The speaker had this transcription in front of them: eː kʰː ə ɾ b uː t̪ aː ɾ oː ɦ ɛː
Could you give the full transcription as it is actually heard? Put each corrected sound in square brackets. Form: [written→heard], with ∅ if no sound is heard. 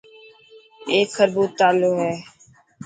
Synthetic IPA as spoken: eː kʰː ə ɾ b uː t̪ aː [ɾ→l] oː ɦ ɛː